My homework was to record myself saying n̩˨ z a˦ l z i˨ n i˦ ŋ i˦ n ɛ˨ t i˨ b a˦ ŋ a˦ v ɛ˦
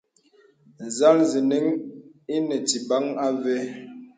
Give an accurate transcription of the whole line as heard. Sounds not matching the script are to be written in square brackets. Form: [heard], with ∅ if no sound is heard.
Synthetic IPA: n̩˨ z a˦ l z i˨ n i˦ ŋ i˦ n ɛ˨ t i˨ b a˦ ŋ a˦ v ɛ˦